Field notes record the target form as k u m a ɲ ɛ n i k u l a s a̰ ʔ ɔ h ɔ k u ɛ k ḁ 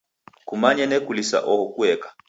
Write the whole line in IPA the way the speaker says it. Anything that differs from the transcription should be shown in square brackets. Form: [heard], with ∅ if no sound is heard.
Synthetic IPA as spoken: k u m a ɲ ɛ n [ɛ] k u l [i] s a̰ ʔ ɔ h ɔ k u ɛ k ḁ

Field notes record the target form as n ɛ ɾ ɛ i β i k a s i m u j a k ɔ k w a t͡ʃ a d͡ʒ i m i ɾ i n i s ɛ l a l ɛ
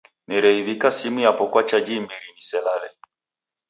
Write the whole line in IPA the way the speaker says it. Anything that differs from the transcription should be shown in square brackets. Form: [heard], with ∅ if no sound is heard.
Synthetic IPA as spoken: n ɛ ɾ ɛ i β i k a s i m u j a [p] ɔ k w a t͡ʃ a d͡ʒ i m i ɾ i n i s ɛ l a l ɛ

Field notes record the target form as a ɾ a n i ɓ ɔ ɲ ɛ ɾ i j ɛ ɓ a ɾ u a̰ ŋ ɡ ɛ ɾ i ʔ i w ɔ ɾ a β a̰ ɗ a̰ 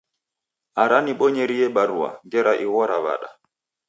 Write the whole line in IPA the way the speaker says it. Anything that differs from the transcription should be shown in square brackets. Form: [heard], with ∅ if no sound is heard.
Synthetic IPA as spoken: a ɾ a n i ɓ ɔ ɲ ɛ ɾ i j ɛ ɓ a ɾ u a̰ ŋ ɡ ɛ ɾ [a] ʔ i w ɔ ɾ a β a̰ ɗ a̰

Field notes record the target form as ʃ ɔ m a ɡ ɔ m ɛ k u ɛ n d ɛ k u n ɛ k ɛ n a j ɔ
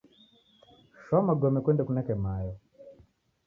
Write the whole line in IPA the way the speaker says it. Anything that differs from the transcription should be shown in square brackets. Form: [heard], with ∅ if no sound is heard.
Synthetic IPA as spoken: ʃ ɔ m a ɡ ɔ m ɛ k [w] ɛ n d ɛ k u n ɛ k ɛ [m] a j ɔ

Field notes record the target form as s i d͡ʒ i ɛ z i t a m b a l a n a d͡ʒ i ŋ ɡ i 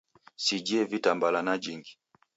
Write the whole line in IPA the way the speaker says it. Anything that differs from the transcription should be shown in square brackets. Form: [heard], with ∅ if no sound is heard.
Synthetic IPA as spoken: s i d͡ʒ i ɛ [v] i t a m b a l a n a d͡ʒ i ŋ ɡ i

